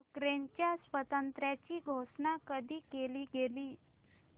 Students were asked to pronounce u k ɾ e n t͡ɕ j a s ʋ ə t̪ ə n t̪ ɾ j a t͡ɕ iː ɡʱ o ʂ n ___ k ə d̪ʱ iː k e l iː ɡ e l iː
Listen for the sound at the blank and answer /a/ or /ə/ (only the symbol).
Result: a